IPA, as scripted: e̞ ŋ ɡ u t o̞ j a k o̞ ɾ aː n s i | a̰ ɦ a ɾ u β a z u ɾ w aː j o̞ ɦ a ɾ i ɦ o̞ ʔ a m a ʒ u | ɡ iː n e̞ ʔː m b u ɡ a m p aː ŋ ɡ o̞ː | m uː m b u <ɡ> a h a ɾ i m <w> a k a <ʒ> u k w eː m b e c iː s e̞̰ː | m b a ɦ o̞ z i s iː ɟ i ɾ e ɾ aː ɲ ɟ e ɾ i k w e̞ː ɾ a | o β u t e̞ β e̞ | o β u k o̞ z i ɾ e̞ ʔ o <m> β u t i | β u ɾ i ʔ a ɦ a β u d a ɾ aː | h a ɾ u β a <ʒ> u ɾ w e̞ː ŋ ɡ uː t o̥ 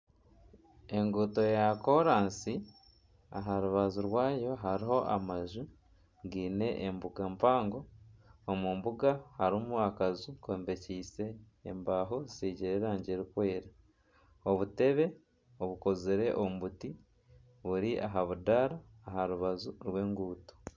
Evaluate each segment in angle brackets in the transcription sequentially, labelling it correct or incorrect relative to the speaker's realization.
correct, incorrect: u, incorrect: z, correct, incorrect: z

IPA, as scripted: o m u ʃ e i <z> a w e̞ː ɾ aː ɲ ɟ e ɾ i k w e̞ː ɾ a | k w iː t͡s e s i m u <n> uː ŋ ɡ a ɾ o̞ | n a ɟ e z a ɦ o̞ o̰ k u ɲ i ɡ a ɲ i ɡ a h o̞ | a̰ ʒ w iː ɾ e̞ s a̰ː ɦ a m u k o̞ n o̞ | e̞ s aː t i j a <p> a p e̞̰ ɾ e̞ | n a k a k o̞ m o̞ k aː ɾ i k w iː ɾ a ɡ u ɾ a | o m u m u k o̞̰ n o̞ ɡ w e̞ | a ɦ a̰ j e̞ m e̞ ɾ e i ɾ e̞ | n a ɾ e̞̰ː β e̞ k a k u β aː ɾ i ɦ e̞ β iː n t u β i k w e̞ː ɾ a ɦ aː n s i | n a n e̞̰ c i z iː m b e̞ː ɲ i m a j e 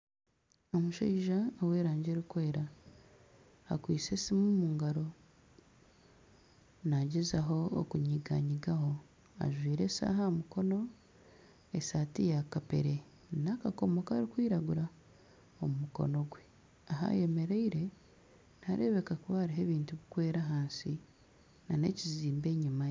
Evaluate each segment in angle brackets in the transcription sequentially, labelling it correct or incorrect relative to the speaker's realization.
incorrect: ʒ, incorrect: m, incorrect: k

